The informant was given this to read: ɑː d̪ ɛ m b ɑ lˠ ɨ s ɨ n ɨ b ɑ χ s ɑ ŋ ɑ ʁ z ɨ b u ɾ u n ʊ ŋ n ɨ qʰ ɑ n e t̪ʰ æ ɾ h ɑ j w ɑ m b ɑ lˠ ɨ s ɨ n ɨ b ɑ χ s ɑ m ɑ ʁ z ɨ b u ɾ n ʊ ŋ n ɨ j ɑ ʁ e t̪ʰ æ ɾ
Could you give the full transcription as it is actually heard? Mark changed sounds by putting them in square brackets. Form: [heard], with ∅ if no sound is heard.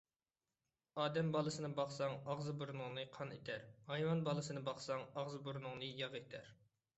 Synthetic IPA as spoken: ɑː d̪ ɛ m b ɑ lˠ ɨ s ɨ n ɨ b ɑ χ s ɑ ŋ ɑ ʁ z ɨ b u ɾ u n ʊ ŋ n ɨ qʰ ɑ n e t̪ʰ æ ɾ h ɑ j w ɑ [n] b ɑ lˠ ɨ s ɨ n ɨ b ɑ χ s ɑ [ŋ] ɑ ʁ z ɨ b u ɾ n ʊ ŋ n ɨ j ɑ ʁ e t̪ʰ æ ɾ